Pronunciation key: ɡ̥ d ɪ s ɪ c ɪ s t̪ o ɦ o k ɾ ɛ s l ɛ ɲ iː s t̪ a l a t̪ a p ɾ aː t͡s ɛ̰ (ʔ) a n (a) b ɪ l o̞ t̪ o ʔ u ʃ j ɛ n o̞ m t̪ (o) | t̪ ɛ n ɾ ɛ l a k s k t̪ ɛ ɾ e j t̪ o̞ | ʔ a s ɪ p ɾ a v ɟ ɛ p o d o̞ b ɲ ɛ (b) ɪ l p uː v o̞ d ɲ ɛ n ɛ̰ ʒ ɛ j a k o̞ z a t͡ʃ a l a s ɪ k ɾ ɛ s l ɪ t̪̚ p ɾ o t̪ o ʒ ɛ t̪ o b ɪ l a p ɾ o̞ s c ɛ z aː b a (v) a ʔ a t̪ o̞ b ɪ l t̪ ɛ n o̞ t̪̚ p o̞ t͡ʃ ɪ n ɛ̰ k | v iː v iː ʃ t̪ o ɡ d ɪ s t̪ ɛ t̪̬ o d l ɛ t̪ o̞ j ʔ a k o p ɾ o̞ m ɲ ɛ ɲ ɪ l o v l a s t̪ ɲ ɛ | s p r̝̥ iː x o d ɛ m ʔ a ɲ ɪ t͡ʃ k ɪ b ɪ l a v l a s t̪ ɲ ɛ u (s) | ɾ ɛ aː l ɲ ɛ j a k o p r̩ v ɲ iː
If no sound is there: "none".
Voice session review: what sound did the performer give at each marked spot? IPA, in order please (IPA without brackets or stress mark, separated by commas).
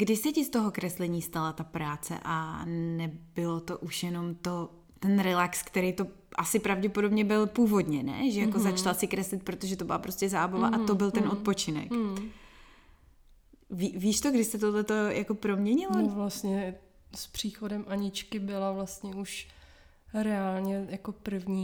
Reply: ʔ, ɛ, o, b, v, ʃ